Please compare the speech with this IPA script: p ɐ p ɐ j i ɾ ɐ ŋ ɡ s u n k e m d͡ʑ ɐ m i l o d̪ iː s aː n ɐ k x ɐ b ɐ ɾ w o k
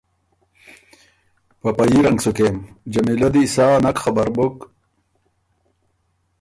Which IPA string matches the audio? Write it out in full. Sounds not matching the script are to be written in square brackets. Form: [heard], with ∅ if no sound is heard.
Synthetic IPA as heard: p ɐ p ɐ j i ɾ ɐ ŋ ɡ s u [∅] k e m d͡ʑ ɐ m i l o d̪ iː s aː n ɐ k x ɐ b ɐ ɾ [b] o k